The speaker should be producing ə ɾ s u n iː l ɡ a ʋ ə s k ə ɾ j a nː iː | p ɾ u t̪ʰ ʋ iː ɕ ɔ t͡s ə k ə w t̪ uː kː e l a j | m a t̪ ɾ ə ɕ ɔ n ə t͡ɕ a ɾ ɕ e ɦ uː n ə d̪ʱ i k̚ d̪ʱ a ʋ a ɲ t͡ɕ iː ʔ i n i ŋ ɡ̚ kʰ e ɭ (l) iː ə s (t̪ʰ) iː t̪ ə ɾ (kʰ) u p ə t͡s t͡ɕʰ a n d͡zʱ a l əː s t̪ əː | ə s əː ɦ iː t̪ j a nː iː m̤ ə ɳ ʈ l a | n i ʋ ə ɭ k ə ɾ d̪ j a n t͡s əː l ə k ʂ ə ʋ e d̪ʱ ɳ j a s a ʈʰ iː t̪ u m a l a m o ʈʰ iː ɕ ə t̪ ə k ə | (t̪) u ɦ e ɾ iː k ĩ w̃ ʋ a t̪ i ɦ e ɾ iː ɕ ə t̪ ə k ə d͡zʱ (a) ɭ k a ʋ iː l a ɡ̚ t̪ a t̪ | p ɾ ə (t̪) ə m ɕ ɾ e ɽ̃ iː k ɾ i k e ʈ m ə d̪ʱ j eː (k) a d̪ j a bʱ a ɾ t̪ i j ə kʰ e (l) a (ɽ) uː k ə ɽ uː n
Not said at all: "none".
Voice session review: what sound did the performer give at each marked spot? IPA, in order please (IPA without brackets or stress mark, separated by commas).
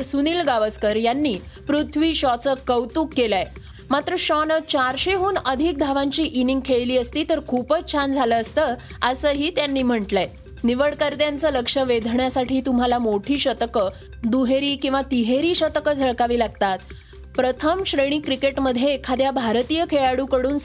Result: l, t̪, kʰ, d̪, ə, t̪ʰ, kʰ, ɭ, ɽ